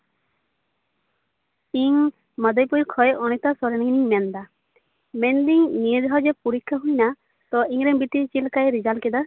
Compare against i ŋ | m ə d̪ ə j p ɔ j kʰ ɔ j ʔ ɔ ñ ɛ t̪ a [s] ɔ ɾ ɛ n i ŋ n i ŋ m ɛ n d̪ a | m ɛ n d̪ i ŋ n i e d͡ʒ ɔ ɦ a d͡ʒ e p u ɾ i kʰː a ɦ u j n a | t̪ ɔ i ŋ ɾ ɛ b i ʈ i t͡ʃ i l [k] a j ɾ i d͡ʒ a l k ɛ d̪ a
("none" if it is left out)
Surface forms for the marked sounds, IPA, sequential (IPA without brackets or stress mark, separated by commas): s, k